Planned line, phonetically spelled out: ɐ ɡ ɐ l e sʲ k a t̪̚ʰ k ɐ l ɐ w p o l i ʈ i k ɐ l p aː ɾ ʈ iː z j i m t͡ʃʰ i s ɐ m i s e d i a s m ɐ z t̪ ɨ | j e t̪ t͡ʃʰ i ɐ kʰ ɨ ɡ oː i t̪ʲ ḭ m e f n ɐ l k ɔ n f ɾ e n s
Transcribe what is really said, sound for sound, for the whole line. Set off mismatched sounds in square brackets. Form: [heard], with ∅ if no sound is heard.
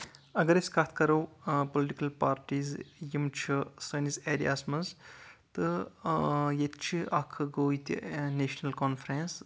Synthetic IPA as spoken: ɐ ɡ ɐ [ɾ] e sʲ k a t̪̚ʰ k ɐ [ɾ] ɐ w p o l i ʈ i k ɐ l p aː ɾ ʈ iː z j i m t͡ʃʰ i s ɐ [n] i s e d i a s m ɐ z t̪ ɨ | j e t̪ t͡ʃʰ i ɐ kʰ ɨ ɡ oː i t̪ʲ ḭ [n] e [ʃ] n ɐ l k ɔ n f ɾ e n s